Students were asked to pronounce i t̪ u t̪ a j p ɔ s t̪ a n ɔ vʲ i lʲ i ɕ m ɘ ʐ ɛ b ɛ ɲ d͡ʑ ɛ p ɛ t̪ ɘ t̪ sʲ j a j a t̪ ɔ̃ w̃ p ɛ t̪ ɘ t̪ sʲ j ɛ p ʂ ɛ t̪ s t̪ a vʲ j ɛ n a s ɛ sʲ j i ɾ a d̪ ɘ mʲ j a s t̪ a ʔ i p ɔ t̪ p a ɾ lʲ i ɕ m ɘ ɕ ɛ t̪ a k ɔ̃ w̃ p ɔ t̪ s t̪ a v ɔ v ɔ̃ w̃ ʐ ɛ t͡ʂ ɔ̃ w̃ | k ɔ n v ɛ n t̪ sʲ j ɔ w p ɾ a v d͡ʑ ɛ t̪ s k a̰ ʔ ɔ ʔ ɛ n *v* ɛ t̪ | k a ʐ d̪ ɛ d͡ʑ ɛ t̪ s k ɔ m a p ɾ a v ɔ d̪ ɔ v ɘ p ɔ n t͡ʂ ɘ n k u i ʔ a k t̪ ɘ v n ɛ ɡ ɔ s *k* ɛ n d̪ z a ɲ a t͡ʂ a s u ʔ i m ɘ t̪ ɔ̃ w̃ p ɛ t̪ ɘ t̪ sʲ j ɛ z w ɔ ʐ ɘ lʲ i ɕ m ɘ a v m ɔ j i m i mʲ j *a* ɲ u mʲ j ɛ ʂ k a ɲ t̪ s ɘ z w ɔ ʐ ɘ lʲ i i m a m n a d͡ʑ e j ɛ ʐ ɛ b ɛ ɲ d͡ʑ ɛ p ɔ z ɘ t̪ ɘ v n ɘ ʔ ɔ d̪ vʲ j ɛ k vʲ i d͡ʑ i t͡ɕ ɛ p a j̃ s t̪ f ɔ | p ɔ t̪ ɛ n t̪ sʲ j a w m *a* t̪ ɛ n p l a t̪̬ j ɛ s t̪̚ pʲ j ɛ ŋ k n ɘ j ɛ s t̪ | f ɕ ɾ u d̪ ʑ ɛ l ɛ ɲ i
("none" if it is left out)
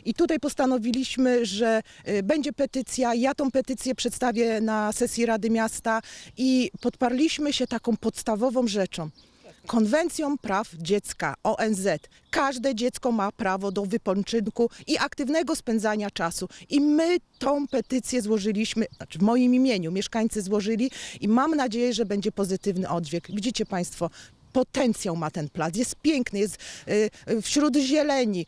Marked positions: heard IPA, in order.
z, p, e, a

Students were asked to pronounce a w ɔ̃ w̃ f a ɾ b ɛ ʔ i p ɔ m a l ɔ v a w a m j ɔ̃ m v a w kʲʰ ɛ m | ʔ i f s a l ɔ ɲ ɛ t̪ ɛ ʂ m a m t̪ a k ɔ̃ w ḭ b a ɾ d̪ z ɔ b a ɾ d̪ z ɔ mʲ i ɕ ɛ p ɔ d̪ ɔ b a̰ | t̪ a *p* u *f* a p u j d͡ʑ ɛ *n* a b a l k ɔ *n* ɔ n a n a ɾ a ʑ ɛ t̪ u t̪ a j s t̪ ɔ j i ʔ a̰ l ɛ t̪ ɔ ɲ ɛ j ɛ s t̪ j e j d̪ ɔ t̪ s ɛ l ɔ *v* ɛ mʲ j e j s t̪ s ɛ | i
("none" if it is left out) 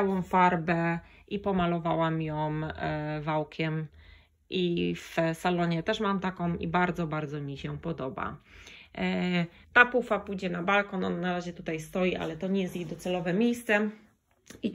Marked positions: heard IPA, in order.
p, f, n, n, v

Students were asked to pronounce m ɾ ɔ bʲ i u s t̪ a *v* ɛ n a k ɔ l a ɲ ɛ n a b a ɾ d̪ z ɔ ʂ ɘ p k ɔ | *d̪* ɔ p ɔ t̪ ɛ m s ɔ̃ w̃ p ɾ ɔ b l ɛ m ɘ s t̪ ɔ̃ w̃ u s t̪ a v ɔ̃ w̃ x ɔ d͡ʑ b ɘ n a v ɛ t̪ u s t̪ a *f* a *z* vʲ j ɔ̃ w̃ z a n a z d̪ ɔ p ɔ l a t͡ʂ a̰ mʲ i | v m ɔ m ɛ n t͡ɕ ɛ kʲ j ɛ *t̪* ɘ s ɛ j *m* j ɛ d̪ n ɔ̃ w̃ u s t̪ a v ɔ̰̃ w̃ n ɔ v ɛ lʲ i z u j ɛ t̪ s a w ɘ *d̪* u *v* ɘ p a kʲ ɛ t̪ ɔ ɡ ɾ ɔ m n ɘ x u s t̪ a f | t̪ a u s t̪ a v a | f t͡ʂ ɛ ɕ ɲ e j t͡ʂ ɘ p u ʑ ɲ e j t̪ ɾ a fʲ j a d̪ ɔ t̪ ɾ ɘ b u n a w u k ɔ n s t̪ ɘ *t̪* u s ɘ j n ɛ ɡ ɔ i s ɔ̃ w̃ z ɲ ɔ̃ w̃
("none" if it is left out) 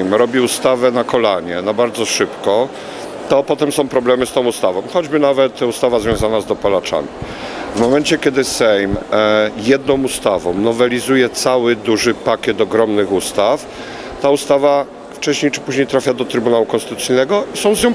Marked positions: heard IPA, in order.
v, t̪, v, z, d̪, m, d̪, ʐ, t̪

